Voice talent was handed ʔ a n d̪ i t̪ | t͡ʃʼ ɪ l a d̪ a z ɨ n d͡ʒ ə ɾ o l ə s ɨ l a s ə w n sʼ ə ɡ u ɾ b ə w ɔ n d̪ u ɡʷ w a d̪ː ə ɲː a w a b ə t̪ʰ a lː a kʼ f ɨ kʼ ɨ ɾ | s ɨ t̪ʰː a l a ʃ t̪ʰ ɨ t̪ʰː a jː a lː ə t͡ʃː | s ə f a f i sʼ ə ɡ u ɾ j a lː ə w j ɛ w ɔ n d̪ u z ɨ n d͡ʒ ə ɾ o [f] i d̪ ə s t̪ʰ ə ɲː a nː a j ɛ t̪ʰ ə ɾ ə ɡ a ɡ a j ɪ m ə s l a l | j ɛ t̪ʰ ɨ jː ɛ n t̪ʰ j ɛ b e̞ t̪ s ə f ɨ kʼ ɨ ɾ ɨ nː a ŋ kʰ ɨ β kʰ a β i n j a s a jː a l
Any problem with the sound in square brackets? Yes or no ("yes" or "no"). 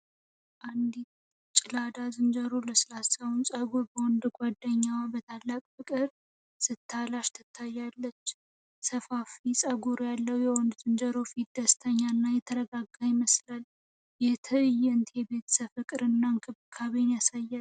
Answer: no